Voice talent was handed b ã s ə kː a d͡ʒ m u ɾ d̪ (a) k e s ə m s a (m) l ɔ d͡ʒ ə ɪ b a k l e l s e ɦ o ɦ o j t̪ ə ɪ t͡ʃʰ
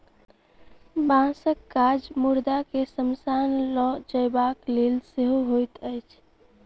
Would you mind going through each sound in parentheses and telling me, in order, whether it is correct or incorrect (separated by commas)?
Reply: correct, incorrect